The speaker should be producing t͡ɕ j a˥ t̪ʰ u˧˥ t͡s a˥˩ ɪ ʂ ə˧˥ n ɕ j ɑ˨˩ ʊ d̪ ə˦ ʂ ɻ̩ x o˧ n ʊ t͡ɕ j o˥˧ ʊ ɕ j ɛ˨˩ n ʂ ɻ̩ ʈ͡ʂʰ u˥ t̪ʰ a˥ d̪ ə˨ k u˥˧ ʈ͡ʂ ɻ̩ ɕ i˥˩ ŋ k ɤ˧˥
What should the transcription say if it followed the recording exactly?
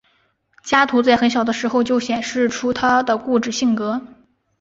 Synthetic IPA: t͡ɕ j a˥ t̪ʰ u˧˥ t͡s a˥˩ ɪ x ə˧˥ n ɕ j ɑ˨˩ ʊ d̪ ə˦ ʂ ɻ̩ x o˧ ʊ t͡ɕ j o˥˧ ʊ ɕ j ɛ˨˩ n ʂ ɻ̩ ʈ͡ʂʰ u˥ t̪ʰ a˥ d̪ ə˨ k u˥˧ ʈ͡ʂ ɻ̩ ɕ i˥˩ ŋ k ɤ˧˥

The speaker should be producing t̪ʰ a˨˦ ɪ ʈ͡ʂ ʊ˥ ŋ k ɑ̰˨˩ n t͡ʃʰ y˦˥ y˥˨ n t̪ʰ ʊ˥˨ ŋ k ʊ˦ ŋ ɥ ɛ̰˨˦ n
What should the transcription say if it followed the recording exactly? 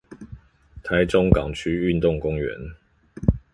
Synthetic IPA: t̪ʰ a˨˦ ɪ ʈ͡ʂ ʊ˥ ŋ k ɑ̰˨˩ ŋ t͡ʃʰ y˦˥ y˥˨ n t̪ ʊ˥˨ ŋ k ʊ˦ ŋ ɥ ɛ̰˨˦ n

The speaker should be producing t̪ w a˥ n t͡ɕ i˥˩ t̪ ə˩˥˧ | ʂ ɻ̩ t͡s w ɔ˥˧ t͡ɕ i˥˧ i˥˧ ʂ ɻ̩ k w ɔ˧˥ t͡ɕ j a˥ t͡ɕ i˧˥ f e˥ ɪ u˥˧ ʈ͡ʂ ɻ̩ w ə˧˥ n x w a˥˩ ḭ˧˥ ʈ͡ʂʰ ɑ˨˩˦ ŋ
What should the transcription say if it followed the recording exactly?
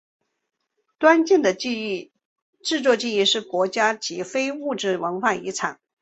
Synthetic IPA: t̪ w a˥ n t͡ɕ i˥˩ d̪ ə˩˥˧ | ʈ͡ʂ ɻ̩ t͡s w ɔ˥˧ t͡ɕ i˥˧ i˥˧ ʂ ɻ̩ k w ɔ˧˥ t͡ɕ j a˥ t͡ɕ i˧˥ f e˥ ɪ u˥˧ ʈ͡ʂ ɻ̩ w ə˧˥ n x w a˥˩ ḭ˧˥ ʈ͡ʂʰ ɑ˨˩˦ ŋ

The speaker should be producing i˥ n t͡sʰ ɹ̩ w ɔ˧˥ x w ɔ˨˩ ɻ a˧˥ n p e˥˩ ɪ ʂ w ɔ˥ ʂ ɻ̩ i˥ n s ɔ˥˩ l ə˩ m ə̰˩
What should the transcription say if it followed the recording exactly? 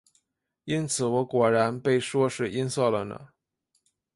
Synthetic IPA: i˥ n t͡sʰ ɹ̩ w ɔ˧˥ k w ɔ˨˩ ɻ a˧˥ n p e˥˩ ɪ ʂ w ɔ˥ ʂ ɻ̩ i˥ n s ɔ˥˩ l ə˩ n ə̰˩

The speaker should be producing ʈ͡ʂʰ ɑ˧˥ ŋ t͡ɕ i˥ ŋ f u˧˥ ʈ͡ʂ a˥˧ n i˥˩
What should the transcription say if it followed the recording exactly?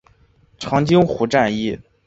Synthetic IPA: ʈ͡ʂʰ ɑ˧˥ ŋ t͡ɕ i˥ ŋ x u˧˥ ʈ͡ʂ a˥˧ n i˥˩

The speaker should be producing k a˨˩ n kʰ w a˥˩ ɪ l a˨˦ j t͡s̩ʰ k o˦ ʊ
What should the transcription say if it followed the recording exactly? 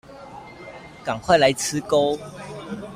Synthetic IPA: k a˨˩ ŋ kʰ w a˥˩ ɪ l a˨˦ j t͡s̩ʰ k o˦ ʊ

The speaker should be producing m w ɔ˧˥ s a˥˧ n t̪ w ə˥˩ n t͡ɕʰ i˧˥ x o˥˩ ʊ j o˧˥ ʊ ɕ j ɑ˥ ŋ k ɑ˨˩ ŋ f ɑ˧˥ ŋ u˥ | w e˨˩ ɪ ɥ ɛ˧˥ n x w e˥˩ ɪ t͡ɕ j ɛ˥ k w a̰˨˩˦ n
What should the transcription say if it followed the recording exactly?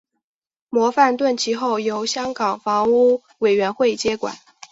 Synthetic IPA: m w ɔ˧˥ f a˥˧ n t̪ w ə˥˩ n t͡ɕʰ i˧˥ x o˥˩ ʊ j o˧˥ ʊ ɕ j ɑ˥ ŋ k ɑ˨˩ ŋ f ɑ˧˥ ŋ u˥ | w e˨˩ ɪ ɥ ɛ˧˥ n x w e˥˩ ɪ t͡ɕ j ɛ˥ k w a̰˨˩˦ n

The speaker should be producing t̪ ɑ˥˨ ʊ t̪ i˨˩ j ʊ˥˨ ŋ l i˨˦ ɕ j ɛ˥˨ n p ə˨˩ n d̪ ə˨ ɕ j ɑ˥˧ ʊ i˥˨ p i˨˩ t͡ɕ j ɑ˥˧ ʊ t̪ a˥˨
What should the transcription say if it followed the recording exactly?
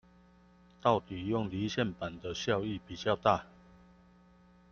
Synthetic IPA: t̪ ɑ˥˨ ʊ t̪ i˨˩ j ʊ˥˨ ŋ l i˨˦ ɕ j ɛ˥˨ n p a˨˩ n d̪ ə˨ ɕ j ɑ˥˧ ʊ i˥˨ p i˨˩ t͡ɕ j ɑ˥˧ ʊ t̪ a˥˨

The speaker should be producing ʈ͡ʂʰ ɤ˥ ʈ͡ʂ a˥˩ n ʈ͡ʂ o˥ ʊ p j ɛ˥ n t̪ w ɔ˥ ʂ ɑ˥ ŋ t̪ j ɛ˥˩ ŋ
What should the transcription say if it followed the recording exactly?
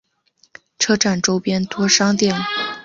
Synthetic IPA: ʈ͡ʂʰ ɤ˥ ʈ͡ʂ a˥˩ n ʈ͡ʂ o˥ ʊ p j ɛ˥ n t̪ w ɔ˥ ʂ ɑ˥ ŋ t̪ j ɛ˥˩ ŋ

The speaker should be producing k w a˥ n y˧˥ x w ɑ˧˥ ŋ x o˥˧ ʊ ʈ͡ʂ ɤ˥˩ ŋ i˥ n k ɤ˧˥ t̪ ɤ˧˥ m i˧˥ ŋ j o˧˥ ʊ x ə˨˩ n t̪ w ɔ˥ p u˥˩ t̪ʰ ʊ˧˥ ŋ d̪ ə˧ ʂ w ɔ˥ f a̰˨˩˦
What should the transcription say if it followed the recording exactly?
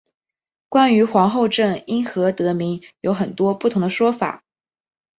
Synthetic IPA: k w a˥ n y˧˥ x w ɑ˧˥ ŋ x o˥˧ ʊ ʈ͡ʂ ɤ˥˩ ŋ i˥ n x ɤ˧˥ t̪ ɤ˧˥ m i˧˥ ŋ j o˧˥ ʊ x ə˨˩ n t̪ w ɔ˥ p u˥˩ t̪ʰ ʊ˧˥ ŋ d̪ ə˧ ʂ w ɔ˥ f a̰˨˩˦

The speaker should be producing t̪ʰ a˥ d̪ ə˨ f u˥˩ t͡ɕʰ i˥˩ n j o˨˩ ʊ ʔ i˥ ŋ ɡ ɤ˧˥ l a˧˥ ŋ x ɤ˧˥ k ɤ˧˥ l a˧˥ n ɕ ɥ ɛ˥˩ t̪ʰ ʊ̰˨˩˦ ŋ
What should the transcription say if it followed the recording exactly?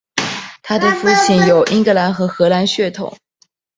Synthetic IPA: t̪ʰ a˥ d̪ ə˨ f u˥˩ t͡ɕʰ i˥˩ n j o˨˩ ʊ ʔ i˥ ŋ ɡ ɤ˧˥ l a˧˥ n x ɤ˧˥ x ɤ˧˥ l a˧˥ n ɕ ɥ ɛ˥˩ t̪ʰ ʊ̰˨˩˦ ŋ

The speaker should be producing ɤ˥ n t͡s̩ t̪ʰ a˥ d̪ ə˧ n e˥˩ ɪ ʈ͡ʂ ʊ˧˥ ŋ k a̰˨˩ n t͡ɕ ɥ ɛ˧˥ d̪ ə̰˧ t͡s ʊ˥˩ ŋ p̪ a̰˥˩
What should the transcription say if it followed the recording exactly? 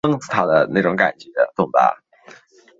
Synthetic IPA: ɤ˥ ŋ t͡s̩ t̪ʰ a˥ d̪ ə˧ n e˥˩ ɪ ʈ͡ʂ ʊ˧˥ ŋ k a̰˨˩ n t͡ɕ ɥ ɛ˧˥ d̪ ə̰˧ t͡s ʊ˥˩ ŋ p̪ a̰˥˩

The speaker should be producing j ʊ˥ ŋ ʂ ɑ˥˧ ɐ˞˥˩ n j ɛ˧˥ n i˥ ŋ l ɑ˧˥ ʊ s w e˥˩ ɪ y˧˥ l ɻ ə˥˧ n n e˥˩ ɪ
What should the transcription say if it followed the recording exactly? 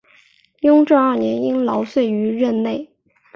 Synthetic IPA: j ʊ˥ ŋ ʈ͡ʂ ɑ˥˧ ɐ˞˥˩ n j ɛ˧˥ n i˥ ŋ l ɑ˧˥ ʊ s w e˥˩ ɪ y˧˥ ɻ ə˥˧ n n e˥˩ ɪ

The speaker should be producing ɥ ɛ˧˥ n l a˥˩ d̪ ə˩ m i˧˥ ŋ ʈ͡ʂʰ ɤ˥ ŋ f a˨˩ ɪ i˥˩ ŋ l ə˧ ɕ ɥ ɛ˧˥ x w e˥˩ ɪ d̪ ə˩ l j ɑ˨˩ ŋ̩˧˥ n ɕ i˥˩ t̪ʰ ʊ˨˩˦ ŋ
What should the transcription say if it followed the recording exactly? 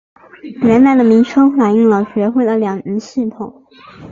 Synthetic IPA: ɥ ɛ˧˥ n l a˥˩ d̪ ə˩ m i˧˥ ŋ ʈ͡ʂʰ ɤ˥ ŋ f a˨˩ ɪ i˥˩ ŋ l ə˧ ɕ ɥ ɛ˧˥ x w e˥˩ ɪ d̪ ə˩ l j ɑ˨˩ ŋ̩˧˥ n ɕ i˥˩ t̪ʰ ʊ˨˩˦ ŋ

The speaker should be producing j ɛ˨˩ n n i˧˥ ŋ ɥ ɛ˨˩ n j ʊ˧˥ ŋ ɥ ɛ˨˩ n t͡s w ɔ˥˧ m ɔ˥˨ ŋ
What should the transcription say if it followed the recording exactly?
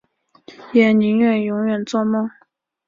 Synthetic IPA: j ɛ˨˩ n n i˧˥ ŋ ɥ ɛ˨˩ n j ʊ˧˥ ŋ ɥ ɛ˨˩ n t͡s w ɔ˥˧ m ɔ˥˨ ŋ

